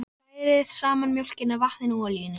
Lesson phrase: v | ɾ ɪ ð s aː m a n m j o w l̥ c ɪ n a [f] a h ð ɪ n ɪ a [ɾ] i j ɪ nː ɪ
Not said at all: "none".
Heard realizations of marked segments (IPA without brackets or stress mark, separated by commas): v, l